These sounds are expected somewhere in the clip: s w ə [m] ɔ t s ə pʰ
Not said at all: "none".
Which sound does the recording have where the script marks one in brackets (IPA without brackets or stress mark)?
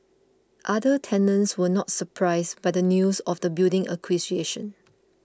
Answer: n